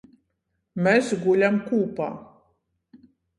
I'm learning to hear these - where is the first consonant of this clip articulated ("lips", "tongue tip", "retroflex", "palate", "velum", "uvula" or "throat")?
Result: lips